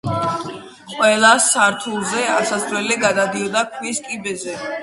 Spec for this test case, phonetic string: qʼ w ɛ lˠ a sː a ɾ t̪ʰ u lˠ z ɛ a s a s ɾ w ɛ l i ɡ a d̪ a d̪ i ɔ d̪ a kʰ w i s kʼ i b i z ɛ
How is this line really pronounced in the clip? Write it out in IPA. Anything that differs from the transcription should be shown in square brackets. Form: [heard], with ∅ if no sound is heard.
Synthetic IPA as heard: qʼ w ɛ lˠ a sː a ɾ t̪ʰ u lˠ z ɛ a s a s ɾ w ɛ l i ɡ a d̪ a d̪ i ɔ d̪ a kʰ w i s kʼ i b [ɛ] z ɛ